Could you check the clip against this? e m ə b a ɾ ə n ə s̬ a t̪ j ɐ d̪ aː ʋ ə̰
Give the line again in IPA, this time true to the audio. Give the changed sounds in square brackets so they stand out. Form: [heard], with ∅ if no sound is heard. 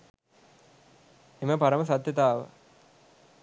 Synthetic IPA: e m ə [p] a ɾ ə [m] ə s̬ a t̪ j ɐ [t̪] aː ʋ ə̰